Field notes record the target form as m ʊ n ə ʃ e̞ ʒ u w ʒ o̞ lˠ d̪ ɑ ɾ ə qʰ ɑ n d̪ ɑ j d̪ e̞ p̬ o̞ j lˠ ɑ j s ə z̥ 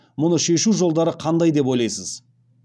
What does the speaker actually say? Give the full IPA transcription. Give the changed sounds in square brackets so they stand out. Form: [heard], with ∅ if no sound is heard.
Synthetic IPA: m ʊ n ə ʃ e̞ [ʃ] u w ʒ o̞ lˠ d̪ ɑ ɾ ə qʰ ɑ n d̪ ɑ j d̪ e̞ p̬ o̞ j lˠ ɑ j s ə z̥